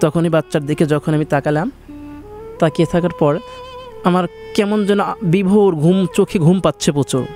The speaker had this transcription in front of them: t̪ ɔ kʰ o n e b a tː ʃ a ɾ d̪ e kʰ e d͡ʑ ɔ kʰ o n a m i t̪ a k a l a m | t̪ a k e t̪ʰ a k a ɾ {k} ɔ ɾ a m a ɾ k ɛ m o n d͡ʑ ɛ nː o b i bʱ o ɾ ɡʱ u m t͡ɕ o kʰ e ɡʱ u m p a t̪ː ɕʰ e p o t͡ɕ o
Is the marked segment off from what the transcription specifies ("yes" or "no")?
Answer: yes